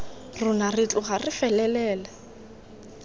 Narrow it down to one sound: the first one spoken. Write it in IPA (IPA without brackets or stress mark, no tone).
r